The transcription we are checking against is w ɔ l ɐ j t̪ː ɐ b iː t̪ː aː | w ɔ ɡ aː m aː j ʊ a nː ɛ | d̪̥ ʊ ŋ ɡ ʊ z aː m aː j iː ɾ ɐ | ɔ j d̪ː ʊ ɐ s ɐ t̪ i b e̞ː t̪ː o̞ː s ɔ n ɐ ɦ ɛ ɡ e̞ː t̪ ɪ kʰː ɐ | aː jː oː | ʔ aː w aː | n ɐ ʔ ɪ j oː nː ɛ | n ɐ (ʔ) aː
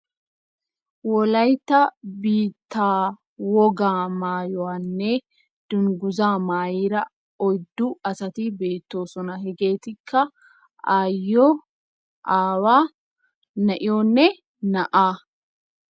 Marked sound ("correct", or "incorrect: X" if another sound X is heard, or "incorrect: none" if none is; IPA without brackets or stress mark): correct